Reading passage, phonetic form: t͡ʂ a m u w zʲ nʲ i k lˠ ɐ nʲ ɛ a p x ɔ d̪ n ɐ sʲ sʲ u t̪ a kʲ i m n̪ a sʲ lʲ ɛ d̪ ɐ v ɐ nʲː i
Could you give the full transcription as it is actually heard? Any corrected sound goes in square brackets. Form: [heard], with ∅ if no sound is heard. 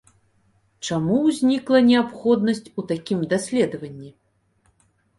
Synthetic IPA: t͡ʂ a m u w zʲ nʲ i k lˠ ɐ nʲ ɛ a p x ɔ d̪ n ɐ sʲ [t͡sʲ] u t̪ a kʲ i m [d̪] a sʲ lʲ ɛ d̪ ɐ v ɐ nʲː i